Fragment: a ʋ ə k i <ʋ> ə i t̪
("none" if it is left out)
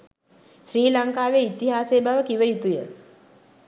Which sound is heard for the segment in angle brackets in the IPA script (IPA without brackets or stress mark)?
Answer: ʋ